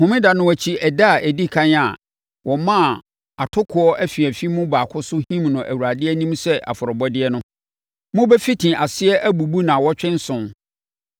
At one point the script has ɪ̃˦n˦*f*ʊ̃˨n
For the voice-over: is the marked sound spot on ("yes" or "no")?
no